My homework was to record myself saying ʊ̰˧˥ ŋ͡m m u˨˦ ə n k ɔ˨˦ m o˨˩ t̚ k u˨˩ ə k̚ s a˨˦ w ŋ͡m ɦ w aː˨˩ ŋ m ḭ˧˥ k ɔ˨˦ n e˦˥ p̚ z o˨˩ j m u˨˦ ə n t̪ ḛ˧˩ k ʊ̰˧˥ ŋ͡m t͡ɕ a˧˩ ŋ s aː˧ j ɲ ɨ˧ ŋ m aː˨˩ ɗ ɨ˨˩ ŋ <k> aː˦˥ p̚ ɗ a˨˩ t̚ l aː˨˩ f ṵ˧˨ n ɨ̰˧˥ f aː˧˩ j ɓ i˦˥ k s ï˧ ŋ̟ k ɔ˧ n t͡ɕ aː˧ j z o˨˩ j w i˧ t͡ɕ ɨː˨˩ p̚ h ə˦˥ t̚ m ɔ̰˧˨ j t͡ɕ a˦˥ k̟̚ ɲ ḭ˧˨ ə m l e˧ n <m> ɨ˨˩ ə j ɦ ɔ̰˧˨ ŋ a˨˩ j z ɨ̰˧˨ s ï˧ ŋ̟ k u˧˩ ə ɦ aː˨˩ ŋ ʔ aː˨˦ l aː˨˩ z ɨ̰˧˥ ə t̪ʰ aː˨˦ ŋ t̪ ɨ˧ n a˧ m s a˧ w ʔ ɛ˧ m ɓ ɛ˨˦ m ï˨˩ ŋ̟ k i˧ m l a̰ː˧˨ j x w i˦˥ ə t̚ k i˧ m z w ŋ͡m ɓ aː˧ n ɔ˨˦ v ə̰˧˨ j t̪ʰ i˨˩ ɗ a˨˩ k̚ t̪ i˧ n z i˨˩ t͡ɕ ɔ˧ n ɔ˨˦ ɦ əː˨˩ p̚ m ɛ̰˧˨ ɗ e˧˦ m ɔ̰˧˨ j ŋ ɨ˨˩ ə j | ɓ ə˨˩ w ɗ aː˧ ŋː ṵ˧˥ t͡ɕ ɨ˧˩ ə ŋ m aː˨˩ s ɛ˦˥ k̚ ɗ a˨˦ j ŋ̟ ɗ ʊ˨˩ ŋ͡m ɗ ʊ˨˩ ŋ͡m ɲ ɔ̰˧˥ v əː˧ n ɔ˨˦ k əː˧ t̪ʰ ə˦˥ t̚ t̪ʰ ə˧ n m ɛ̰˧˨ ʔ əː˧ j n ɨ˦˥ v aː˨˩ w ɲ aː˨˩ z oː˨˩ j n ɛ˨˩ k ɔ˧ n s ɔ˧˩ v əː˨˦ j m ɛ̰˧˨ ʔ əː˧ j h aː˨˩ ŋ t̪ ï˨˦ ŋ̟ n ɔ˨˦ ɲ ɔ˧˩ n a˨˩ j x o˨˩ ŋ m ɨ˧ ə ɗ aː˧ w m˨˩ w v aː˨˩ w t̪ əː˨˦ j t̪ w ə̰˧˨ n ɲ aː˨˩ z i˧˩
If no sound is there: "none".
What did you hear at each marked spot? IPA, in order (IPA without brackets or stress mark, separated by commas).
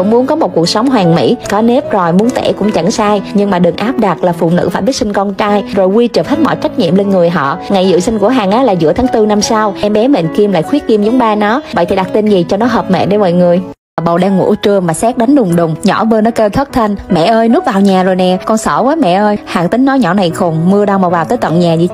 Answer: ʔ, ŋ